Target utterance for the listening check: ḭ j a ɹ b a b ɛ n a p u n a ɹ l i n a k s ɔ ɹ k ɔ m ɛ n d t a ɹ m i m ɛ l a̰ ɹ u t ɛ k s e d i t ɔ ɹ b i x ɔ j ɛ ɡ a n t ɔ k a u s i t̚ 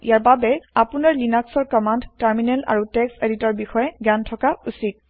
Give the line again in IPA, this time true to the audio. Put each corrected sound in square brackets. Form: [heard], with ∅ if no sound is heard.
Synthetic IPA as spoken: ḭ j a ɹ b a b ɛ [∅] a p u n a ɹ l i n a k s ɔ ɹ k ɔ m [a] n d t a ɹ m i [n] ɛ l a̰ ɹ u t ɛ k s e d i t ɔ ɹ b i x ɔ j ɛ ɡ a n [tʰ] ɔ k a u s i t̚